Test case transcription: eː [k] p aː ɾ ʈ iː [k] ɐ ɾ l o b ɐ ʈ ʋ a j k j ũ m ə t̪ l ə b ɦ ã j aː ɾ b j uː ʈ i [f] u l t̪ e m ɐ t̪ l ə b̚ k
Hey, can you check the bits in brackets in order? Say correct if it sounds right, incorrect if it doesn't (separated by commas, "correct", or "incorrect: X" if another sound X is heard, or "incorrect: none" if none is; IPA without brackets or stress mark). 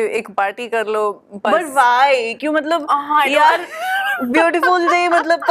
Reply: correct, correct, correct